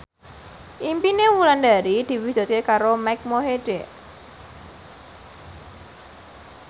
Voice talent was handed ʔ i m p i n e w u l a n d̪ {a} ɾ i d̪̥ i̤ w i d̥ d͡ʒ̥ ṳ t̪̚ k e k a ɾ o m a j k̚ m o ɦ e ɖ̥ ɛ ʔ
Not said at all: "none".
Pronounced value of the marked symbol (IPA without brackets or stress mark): a